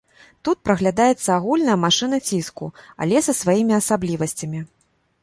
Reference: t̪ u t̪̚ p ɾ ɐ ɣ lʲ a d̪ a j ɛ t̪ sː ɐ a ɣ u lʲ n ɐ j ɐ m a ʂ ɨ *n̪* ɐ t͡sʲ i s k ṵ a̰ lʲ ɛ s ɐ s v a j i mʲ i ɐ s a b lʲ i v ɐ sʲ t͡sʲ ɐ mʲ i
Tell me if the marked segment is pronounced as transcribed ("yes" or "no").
yes